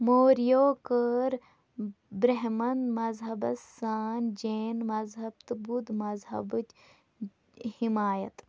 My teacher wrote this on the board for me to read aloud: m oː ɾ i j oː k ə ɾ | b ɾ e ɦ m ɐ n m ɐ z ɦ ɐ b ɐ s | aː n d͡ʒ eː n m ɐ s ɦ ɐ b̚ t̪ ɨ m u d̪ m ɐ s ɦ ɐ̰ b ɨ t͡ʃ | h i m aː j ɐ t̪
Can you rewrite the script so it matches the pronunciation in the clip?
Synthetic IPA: m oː ɾ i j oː k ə ɾ | b ɾ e ɦ m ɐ n m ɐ z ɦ ɐ b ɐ s | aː n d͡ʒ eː n m ɐ z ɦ ɐ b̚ t̪ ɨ b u d̪ m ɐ z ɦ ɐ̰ b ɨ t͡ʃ | h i m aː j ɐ t̪